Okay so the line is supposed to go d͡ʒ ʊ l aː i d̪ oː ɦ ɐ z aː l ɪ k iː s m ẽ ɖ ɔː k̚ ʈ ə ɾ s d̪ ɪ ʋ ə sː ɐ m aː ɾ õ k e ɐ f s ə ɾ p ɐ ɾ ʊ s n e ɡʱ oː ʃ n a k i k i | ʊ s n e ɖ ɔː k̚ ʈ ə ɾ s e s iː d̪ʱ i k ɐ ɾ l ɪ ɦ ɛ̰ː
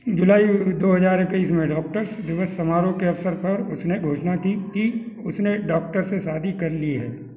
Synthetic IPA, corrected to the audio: d͡ʒ ʊ l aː i d̪ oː ɦ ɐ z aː ɾ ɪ k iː s m ẽ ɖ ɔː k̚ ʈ ə ɾ s d̪ ɪ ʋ ə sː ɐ m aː ɾ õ k e ɐ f s ə ɾ p ɐ ɾ ʊ s n e ɡʱ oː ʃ n a k i k i | ʊ s n e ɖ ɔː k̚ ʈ ə ɾ s e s aː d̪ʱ i k ɐ ɾ l i ɦ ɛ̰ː